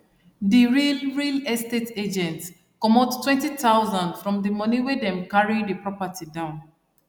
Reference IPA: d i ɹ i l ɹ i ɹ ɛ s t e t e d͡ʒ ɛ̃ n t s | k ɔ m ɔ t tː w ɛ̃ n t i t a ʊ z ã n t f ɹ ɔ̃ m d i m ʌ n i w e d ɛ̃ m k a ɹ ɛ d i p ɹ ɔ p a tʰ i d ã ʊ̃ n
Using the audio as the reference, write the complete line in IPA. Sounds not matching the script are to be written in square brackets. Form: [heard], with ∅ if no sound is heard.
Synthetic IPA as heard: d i ɹ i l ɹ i [l] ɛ s t e t e d͡ʒ ɛ̃ n t s | k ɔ m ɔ t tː w ɛ̃ n t i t a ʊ z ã n [d] f ɹ ɔ̃ m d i m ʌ n i w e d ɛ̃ m k a ɹ [i] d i p ɹ ɔ p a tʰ i d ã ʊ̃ n